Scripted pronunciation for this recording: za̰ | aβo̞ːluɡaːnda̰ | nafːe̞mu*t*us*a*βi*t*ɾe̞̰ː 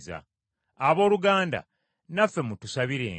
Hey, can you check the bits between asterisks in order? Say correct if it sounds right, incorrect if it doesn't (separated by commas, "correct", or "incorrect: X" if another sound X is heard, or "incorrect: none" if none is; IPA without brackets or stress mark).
correct, correct, incorrect: none